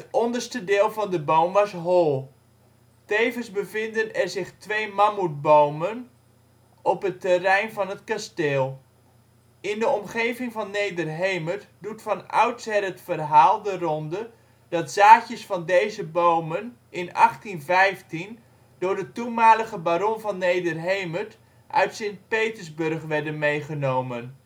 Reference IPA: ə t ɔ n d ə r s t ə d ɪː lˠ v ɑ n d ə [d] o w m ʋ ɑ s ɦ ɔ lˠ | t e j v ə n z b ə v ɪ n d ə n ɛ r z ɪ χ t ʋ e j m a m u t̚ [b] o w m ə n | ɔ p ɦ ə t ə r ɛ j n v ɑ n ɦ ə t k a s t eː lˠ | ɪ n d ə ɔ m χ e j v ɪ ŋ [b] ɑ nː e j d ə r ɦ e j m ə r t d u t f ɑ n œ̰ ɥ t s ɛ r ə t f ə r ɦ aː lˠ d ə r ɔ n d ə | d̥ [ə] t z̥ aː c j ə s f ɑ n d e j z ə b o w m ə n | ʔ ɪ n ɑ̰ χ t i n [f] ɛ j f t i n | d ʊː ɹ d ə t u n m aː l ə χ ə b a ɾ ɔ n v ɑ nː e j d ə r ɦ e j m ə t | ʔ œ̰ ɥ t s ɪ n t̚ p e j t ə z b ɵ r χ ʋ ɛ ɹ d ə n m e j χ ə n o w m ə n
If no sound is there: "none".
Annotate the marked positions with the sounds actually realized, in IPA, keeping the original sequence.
b, b, v, ɑ, v

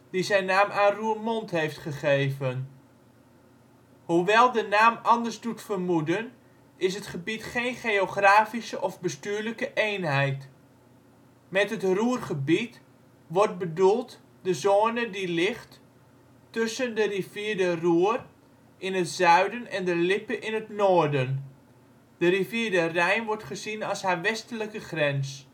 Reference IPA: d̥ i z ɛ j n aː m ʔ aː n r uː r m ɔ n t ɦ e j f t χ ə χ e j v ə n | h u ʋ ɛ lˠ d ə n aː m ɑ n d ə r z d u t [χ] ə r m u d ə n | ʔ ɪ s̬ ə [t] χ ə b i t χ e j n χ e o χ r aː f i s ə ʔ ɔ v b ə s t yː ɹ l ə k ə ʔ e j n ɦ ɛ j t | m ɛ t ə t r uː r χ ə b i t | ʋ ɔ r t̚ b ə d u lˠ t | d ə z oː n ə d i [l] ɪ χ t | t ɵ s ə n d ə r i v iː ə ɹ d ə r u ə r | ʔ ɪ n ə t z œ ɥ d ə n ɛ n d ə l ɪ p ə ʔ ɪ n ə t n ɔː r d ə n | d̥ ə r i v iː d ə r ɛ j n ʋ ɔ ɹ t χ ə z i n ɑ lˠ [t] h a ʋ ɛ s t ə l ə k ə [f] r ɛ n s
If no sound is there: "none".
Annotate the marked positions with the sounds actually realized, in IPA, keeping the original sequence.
f, t, l, s, χ

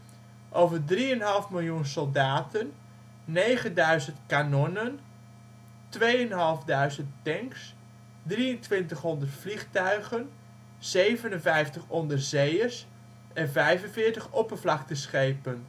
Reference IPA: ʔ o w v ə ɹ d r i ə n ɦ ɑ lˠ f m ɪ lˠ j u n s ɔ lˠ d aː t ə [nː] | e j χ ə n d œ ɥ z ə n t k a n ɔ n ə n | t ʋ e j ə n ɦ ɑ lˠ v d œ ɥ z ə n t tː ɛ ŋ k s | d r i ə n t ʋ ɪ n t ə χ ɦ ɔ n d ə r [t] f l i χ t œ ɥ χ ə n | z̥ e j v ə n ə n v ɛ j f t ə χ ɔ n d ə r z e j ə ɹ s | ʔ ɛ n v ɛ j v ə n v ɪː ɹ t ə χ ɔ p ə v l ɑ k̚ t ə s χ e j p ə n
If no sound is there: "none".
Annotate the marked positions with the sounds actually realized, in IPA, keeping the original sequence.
nː, t

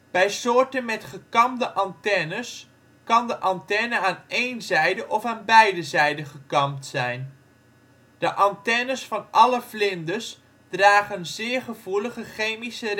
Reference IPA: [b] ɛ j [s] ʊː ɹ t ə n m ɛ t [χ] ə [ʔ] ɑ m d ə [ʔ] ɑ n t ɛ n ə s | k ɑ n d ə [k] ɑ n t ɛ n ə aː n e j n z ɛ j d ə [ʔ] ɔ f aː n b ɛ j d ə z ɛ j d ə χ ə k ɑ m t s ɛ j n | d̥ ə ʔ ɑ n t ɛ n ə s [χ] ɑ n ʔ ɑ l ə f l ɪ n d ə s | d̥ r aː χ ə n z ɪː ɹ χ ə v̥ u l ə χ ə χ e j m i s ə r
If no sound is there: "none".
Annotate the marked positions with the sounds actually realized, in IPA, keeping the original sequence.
b, s, χ, k, ʔ, ʔ, ʔ, f

